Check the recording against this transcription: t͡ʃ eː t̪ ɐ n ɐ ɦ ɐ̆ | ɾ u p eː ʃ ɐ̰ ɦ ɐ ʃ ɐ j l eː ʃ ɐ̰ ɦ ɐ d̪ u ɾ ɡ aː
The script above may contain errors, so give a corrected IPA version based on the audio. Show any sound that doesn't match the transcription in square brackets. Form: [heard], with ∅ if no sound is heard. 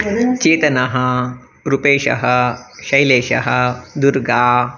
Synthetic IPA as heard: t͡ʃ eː t̪ ɐ n ɐ ɦ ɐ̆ | ɾ u p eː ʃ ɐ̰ ɦ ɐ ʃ ɐ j l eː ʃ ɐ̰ ɦ ɐ d̪ u ɾ ɡ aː